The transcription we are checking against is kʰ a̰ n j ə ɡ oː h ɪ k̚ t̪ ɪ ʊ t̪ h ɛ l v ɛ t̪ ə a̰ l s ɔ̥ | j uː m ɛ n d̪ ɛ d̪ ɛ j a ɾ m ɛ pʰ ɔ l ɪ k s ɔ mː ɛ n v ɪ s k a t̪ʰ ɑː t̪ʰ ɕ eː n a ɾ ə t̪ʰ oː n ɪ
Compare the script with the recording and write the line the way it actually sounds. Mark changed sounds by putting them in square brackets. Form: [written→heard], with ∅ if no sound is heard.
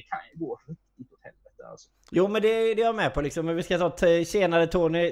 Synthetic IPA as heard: kʰ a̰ n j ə ɡ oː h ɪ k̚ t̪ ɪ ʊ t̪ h ɛ l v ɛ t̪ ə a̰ l s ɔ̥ | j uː m ɛ n d̪ ɛ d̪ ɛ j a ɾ m ɛ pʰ ɔ l ɪ k s ɔ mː ɛ n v ɪ s k a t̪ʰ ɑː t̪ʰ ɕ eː n a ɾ ə t̪ʰ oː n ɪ